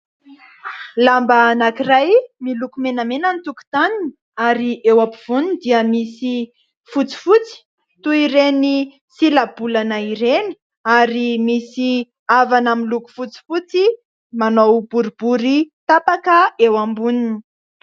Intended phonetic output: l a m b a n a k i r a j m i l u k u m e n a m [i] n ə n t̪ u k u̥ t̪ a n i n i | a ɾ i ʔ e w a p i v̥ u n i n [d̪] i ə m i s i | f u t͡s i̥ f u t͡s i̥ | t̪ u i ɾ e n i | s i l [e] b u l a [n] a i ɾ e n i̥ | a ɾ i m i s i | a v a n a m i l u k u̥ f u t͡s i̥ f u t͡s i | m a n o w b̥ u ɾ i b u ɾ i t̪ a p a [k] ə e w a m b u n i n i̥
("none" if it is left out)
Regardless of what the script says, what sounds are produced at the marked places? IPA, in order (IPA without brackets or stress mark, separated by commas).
e, d̪, a, n, k